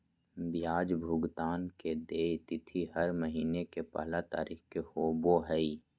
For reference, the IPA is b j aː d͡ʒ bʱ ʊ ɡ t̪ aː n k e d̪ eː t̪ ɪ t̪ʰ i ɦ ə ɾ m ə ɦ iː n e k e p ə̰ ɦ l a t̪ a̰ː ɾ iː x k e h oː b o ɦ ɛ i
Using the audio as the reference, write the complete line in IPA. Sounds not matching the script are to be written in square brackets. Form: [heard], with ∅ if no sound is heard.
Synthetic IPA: b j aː d͡ʒ bʱ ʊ ɡ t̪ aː n k e d̪ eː t̪ ɪ t̪ʰ i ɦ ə ɾ m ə ɦ iː n e k e p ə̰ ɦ l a t̪ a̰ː ɾ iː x k e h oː b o ɦ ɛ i